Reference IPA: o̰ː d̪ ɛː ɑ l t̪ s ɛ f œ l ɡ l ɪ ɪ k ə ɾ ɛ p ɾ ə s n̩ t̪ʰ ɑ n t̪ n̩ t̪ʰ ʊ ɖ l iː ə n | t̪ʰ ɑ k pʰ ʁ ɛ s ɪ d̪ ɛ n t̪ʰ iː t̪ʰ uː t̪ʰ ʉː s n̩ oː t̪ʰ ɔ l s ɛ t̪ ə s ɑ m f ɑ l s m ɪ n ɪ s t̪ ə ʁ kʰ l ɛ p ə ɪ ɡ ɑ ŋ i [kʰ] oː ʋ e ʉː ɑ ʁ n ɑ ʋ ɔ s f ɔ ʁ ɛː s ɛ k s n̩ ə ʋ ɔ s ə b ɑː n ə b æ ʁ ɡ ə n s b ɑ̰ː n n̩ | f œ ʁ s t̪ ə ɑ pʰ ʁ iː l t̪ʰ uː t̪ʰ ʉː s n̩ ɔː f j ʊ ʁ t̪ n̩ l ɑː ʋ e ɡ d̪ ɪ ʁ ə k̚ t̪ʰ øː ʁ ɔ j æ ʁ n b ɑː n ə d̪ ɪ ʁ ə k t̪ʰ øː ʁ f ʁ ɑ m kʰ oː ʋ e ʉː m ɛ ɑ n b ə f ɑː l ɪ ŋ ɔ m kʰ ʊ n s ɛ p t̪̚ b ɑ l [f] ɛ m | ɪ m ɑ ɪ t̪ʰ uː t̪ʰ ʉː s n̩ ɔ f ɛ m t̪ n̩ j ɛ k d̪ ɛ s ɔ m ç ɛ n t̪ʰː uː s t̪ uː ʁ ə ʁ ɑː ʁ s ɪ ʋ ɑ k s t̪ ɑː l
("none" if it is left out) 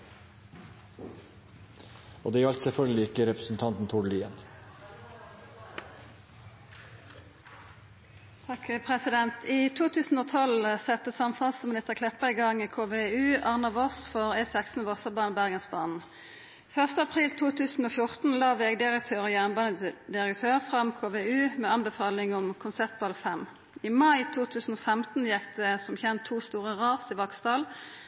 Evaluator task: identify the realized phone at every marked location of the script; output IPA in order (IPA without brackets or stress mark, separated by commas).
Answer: kʰ, f